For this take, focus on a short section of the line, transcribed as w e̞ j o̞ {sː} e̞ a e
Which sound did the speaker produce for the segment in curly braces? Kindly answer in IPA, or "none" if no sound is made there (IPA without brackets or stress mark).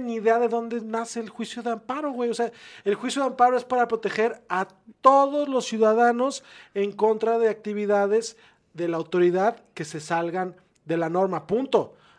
s